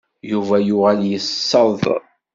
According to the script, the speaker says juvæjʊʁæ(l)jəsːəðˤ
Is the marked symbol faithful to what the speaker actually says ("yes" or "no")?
yes